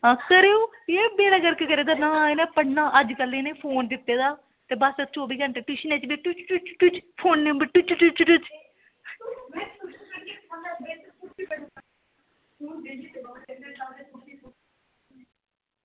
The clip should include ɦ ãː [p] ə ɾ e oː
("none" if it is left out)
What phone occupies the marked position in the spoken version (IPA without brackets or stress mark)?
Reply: k